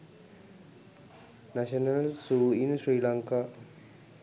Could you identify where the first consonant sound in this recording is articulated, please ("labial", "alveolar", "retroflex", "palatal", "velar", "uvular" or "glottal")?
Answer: alveolar